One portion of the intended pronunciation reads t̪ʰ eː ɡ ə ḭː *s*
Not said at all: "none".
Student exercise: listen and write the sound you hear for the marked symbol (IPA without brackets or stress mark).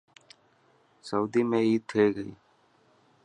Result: none